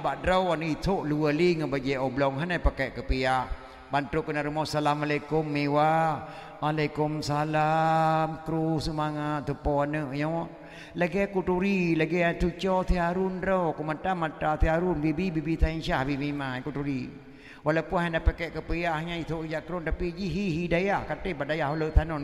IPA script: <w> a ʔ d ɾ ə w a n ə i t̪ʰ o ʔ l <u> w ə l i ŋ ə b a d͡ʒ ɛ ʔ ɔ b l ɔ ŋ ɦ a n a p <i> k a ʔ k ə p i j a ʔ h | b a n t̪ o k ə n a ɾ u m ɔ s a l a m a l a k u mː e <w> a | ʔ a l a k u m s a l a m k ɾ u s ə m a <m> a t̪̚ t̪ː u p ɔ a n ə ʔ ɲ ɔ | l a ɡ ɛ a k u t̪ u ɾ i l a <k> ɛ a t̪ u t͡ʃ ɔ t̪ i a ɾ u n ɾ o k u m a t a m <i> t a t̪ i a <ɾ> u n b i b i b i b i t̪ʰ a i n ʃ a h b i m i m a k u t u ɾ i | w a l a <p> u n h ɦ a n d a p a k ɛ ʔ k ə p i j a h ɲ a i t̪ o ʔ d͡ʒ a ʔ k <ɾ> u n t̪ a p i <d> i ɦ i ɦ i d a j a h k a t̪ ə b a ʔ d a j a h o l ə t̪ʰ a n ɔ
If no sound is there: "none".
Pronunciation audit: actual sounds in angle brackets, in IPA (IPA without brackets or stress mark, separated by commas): b, u, a, w, ŋ, ɡ, a, ɾ, p, ɾ, d͡ʒ